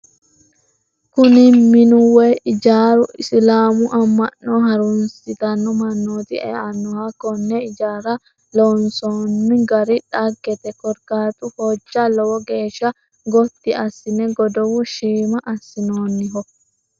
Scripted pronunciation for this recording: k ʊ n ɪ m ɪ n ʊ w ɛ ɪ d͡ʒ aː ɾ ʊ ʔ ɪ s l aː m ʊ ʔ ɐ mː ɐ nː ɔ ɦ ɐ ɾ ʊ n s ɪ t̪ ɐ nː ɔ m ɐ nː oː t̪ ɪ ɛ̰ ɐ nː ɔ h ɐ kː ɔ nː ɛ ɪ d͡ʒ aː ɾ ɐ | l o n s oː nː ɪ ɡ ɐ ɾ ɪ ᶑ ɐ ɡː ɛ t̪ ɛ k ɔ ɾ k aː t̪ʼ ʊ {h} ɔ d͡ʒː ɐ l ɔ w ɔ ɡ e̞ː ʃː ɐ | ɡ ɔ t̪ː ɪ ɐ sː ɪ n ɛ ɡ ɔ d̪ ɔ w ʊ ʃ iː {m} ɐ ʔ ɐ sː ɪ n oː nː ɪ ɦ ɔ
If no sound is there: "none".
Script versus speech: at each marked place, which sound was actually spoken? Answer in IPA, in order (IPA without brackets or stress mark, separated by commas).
h, m